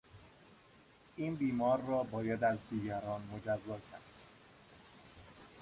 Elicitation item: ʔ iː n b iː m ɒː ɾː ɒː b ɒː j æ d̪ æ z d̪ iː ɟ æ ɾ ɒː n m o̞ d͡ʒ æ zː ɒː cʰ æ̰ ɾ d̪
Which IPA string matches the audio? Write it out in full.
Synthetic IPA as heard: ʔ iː n b iː m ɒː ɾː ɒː b ɒː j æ d̪ æ z d̪ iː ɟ æ ɾ ɒː n m o̞ d͡ʒ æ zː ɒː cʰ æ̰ ɾ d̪